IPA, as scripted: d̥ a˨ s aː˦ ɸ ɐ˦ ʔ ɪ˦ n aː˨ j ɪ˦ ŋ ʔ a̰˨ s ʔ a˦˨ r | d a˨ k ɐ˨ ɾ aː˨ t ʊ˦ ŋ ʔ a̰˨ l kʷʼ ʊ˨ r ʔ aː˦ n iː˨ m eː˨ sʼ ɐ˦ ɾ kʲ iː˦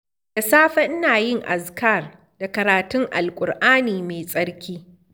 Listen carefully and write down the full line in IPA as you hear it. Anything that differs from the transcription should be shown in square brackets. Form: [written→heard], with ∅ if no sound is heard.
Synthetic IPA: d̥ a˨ s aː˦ ɸ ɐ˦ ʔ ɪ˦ n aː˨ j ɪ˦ ŋ ʔ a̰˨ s [ʔ→k] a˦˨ r | d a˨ k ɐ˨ ɾ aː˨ t ʊ˦ ŋ ʔ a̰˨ l kʷʼ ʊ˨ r ʔ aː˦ n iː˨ m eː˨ sʼ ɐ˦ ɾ kʲ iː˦